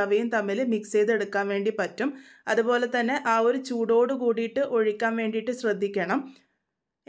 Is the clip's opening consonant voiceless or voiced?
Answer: voiced